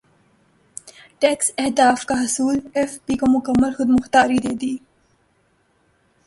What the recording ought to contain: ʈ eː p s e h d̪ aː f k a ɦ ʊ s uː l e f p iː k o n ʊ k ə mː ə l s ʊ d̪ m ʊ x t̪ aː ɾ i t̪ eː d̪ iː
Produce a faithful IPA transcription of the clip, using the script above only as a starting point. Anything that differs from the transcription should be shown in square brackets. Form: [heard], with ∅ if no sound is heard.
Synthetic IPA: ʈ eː [k] s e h d̪ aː f k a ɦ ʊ s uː l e f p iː k o [m] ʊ k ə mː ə l [x] ʊ d̪ m ʊ x t̪ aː ɾ i [d̪] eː d̪ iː